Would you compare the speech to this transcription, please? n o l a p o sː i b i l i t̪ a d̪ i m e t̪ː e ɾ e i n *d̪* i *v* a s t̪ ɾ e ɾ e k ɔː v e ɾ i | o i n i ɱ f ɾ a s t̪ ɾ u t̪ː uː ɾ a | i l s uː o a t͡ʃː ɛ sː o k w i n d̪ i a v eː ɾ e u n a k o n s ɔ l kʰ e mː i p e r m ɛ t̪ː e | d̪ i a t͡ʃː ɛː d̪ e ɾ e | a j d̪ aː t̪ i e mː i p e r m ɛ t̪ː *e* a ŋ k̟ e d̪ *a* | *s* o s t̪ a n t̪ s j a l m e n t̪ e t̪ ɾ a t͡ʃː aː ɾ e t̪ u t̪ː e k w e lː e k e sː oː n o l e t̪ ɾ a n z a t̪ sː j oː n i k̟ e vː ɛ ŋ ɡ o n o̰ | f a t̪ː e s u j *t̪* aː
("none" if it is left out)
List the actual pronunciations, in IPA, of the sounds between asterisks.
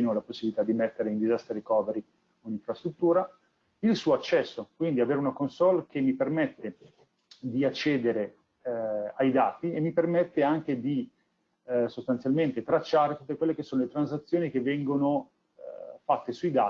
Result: d̪, z, e, i, s, d̪

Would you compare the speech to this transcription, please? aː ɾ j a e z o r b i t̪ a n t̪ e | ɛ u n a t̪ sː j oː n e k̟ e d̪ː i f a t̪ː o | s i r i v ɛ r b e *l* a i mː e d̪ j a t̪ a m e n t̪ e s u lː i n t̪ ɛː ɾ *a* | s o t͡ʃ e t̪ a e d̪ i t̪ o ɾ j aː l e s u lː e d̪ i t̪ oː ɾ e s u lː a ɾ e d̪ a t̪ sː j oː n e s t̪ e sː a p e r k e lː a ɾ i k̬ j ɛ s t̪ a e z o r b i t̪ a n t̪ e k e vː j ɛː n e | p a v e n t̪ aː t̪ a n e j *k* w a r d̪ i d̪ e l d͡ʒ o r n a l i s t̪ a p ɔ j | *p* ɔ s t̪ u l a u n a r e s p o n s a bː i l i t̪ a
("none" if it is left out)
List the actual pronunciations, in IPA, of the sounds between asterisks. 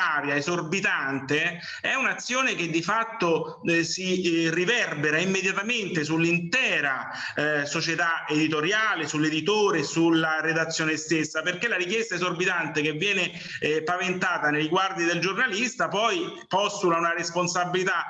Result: ɾ, a, ɡ, p

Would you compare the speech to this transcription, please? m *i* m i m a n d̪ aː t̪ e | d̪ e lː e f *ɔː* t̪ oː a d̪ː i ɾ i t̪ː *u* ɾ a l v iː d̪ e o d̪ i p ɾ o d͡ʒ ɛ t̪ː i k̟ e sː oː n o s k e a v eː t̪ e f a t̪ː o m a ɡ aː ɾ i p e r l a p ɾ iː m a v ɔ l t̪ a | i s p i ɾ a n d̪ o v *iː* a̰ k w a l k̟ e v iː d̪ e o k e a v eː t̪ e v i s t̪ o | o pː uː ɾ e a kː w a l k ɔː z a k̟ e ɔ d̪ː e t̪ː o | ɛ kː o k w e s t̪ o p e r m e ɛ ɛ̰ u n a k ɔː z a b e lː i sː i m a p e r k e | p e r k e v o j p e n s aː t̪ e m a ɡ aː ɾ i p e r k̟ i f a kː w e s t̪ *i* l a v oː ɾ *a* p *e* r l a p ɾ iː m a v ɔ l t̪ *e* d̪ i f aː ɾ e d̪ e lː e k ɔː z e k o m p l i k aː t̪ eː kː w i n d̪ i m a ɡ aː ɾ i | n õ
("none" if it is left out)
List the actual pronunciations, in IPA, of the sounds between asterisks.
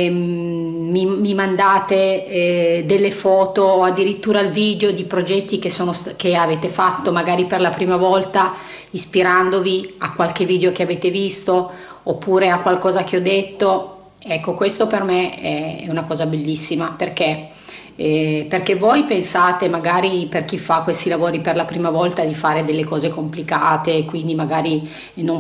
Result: i, ɔː, uː, i, i, i, e, a

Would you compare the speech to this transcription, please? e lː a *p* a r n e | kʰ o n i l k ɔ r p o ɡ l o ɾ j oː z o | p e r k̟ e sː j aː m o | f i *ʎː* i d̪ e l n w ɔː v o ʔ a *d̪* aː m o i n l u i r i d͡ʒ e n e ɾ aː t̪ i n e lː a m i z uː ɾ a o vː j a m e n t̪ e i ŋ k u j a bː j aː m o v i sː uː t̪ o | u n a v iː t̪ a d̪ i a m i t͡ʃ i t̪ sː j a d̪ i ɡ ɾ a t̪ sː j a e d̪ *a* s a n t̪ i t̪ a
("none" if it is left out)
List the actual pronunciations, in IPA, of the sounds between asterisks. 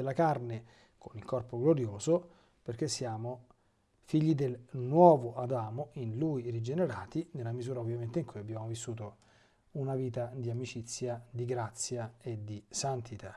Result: k, ʎː, d̪, i

